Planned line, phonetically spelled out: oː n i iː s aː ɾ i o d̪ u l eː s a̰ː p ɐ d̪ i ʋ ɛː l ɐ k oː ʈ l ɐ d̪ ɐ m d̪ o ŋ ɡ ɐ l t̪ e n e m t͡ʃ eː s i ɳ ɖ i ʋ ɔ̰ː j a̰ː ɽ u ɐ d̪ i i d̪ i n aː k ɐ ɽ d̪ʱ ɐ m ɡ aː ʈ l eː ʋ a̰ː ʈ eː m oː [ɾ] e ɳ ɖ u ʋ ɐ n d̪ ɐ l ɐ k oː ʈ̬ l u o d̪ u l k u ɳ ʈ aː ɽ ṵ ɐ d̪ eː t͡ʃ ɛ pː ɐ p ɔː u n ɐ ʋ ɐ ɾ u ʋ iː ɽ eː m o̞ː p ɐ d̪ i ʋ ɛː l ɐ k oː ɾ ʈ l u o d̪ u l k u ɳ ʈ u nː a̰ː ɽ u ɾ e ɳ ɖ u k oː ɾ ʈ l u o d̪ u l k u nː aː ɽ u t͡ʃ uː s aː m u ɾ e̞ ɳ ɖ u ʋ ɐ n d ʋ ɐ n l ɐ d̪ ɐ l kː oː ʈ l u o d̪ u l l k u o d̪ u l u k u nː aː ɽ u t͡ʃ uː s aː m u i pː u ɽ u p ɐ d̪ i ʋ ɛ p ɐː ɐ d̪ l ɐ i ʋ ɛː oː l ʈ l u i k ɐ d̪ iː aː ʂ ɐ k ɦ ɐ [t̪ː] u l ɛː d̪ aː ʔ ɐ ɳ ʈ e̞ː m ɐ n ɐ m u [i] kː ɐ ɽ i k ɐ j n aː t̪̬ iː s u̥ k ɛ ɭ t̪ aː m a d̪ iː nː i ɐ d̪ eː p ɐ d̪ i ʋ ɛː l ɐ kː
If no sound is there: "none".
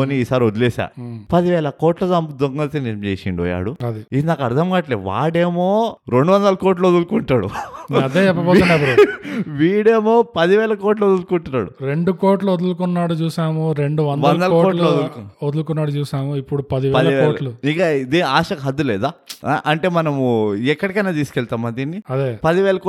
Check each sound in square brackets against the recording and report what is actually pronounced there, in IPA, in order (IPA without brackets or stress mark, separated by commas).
ɾ, d̪ː, ɛ